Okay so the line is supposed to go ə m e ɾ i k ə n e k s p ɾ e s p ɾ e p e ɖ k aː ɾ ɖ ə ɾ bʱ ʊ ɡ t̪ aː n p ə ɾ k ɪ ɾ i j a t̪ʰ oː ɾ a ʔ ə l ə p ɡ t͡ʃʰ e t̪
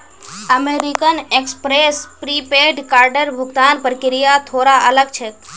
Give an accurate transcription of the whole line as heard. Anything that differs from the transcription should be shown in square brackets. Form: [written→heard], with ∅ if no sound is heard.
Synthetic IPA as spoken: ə m e ɾ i k ə n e k s p ɾ e s p ɾ [e→i] p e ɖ k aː ɾ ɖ ə ɾ bʱ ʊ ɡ t̪ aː n p ə ɾ k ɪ ɾ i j a t̪ʰ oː ɾ a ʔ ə l ə [p→∅] ɡ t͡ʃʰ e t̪